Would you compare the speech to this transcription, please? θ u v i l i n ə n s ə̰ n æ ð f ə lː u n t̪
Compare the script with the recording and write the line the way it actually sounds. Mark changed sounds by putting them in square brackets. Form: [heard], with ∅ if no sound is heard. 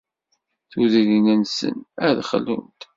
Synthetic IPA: θ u [ð] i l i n ə n s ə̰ n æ ð [χ] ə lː u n t̪

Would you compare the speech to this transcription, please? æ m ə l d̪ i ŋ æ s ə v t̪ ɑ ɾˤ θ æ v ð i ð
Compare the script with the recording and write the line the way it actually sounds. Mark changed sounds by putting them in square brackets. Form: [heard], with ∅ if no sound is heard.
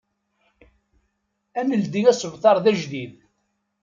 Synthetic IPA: æ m ə l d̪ i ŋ æ s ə v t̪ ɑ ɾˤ [ð] æ [ʒ] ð i ð

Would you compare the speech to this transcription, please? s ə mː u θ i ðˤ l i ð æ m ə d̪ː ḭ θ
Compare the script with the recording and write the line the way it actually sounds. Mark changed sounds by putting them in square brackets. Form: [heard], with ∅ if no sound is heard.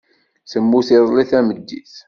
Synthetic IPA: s ə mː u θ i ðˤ l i [θ] æ m ə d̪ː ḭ θ

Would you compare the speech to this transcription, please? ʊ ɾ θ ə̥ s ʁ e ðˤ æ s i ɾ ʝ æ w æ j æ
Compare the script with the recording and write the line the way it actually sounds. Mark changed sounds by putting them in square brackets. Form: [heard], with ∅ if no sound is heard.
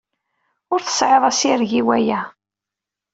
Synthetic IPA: ʊ ɾ θ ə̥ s [ʕ] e ðˤ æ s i ɾ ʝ [i] w æ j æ

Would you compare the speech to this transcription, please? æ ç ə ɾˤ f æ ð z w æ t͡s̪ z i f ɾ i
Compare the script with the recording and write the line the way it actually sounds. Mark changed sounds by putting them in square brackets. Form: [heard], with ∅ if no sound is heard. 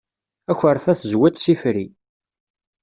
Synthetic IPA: æ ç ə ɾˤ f æ [θ] z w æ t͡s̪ [s] i f ɾ i

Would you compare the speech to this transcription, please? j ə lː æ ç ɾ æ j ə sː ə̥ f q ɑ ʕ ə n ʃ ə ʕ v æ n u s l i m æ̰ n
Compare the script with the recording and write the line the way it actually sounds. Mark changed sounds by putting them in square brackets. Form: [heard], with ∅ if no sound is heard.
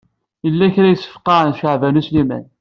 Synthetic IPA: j ə lː æ ç ɾ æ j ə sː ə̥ f q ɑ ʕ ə n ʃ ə ʕ v æ n u s l i m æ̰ n

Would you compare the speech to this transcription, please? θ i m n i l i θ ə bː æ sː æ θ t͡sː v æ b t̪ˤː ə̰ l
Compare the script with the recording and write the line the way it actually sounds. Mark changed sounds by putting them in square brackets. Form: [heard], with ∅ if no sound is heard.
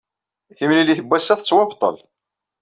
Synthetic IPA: θ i m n i l i θ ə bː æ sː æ θ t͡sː [w] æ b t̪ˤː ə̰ l

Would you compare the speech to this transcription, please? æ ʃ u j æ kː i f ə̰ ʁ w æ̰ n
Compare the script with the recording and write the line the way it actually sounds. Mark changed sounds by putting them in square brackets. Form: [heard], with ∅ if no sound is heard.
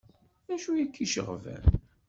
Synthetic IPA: æ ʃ u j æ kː i [ʃ] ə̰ ʁ [v] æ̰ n

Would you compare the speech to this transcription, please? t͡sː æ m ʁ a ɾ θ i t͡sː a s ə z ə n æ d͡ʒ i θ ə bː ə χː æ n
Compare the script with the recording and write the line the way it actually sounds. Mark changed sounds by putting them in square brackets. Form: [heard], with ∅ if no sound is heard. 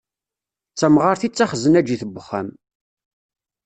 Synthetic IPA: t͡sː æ m ʁ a ɾ θ i t͡sː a [χ] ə z ə n æ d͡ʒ i θ ə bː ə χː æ [m]

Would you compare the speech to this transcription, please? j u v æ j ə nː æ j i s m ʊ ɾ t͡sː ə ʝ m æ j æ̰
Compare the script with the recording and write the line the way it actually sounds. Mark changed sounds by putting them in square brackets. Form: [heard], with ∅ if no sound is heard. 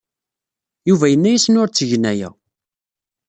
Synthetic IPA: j u v æ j ə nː æ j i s [n] ʊ ɾ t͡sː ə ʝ [n] æ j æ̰

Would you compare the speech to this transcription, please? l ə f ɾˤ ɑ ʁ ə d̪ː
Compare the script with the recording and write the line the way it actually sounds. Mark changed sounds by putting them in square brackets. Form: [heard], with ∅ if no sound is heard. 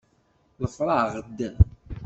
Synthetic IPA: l ə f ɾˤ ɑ ʁ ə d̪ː

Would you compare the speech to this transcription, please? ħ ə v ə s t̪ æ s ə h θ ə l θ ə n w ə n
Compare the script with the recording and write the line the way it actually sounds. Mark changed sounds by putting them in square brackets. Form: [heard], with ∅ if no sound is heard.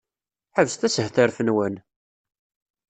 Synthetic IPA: ħ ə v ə s t̪ æ s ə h θ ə [ɾ] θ ə n w ə n

